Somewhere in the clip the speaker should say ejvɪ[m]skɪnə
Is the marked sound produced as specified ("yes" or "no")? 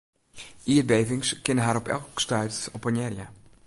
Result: no